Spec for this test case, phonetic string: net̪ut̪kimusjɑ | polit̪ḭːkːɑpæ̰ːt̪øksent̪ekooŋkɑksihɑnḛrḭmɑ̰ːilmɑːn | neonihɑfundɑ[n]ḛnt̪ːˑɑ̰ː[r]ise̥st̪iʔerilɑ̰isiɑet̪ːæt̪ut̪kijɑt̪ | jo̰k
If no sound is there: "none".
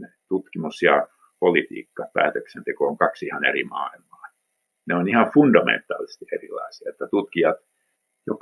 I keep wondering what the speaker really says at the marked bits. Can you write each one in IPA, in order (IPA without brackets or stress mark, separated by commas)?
m, l